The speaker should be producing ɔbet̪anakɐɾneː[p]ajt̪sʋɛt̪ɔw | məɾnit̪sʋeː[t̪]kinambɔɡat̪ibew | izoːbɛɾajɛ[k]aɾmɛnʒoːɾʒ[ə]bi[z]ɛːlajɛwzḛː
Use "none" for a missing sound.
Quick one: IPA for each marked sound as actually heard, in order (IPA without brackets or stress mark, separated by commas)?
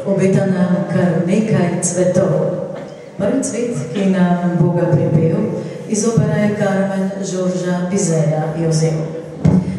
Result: k, t̪, k, a, z